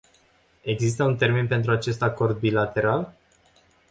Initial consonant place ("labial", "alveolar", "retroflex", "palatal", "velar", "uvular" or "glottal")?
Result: velar